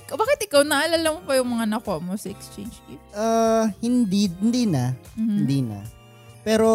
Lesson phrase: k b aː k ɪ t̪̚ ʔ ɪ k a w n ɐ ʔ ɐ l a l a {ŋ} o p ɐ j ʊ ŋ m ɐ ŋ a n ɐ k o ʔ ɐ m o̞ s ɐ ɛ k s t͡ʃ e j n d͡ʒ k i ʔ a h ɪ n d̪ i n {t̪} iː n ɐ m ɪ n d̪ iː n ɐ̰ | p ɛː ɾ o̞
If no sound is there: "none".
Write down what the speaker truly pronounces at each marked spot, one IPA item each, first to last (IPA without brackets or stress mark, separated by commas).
m, d̪